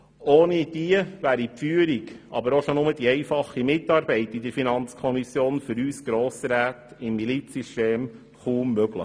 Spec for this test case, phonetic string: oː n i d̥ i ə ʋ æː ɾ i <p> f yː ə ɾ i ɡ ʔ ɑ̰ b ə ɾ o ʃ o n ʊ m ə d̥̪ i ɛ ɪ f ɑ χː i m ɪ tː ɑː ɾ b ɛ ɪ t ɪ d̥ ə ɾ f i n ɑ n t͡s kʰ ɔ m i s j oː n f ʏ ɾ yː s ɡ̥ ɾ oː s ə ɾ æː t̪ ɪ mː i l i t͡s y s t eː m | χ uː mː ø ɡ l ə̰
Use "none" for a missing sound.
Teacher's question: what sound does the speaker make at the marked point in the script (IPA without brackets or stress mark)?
p